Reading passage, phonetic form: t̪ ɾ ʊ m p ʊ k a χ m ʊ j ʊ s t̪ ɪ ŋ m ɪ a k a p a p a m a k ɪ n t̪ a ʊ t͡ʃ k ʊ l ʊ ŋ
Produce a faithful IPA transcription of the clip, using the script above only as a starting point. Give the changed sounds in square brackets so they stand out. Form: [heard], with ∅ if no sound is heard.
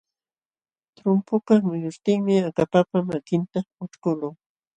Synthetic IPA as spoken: t̪ ɾ ʊ m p ʊ k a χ m ʊ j ʊ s t̪ ɪ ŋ m ɪ a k a p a p a m a k ɪ n t̪ a ʊ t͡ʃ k ʊ l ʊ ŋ